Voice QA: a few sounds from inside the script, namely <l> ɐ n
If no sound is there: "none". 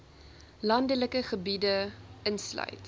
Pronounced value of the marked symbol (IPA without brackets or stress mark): l